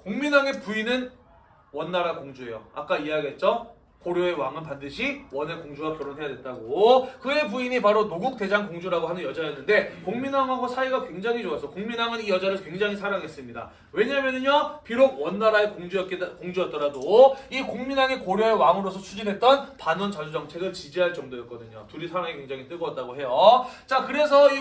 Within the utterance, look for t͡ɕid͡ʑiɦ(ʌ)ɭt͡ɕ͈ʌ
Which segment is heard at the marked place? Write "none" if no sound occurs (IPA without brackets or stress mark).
a